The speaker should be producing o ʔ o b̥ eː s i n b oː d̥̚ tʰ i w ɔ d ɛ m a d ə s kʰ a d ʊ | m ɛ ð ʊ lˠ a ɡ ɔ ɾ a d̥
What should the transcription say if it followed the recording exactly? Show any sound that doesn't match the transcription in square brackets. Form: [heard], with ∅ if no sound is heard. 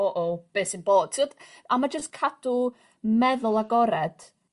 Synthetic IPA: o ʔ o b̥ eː s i n b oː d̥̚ tʰ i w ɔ d [a] m a [d͡ʒ] ə s kʰ a d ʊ | m ɛ ð ʊ lˠ a ɡ ɔ ɾ [ɛ] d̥